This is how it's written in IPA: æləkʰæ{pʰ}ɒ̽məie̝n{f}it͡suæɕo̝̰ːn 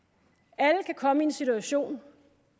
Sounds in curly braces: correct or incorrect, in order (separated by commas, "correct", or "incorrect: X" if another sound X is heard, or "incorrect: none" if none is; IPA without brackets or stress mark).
incorrect: kʰ, incorrect: s